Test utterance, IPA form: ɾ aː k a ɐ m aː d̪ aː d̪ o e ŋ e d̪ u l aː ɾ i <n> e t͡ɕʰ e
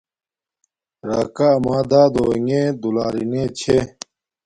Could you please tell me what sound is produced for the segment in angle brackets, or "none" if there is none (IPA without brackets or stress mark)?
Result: n